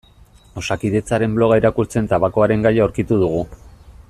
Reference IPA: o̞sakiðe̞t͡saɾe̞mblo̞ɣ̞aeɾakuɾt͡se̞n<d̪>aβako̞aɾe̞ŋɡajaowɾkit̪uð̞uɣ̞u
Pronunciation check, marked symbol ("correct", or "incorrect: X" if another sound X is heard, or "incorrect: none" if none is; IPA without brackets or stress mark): incorrect: t̪